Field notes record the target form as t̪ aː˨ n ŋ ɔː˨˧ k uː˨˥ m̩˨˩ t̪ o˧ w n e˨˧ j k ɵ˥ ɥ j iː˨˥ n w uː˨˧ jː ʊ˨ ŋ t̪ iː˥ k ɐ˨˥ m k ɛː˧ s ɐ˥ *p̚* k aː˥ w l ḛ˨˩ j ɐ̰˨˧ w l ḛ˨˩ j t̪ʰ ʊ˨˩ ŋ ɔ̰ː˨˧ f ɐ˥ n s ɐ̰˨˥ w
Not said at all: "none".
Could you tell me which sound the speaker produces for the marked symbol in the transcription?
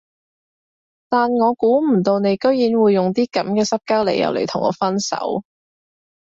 p̚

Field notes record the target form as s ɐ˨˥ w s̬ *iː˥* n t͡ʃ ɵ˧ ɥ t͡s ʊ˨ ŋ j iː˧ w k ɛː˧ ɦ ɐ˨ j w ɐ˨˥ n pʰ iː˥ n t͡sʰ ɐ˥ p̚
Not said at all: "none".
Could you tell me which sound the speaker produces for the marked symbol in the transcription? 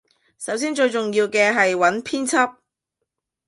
iː˥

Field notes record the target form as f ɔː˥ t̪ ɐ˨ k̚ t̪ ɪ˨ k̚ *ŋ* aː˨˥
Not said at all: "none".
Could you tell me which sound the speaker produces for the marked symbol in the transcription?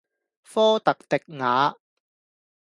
ŋ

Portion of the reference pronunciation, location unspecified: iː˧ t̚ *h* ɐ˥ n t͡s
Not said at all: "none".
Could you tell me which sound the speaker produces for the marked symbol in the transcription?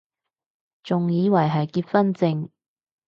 f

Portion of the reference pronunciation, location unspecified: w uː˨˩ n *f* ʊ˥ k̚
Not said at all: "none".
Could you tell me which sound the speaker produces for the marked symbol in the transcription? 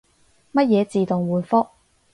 f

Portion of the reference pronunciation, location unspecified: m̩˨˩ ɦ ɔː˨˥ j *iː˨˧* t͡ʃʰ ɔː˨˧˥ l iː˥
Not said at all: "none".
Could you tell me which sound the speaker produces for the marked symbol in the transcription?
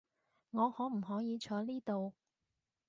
iː˨˧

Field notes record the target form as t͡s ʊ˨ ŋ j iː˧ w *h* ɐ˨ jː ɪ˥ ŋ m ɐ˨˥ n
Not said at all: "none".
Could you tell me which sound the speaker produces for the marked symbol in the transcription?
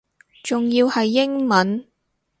h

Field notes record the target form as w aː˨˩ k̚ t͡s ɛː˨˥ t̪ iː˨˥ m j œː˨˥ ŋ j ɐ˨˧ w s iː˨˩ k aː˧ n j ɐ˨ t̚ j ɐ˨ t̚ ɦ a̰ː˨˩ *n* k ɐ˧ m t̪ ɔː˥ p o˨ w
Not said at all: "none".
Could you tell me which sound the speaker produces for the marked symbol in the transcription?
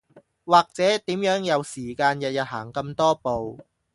ŋ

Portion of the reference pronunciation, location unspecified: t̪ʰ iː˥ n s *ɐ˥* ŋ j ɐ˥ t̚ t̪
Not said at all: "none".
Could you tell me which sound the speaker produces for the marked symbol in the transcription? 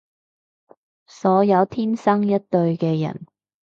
ɐ˥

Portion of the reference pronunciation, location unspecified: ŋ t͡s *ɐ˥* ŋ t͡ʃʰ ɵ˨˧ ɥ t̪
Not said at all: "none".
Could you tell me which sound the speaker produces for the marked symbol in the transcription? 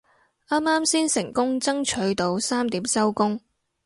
ɐ˥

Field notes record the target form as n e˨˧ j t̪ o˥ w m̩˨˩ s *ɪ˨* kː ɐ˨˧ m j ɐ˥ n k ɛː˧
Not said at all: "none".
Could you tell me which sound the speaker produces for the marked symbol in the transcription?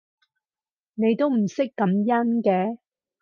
ɪ˥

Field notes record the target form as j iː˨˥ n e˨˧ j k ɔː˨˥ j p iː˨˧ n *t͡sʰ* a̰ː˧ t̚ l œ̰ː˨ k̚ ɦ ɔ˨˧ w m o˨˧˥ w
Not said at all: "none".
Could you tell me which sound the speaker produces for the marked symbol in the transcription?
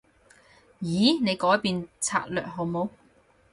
t͡sʰ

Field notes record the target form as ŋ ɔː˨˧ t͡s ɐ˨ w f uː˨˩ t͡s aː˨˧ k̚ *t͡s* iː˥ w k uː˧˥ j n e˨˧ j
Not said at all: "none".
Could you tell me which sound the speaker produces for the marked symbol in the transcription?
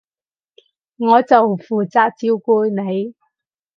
t͡s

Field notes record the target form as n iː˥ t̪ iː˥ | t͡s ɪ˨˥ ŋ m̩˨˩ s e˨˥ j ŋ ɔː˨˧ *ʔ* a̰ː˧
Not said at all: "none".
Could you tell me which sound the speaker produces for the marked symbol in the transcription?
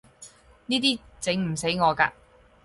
k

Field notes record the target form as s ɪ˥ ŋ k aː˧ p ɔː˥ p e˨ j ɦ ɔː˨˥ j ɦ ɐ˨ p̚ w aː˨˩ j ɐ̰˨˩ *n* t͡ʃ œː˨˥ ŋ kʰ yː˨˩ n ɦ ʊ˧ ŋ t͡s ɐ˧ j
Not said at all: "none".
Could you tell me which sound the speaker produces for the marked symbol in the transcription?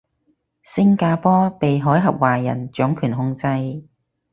n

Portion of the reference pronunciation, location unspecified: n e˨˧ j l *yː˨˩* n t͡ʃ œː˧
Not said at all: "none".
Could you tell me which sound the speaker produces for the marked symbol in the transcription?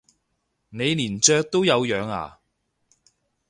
iː˨˩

